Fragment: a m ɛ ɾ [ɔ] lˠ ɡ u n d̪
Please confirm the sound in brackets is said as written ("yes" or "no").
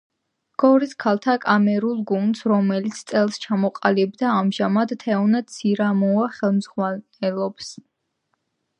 no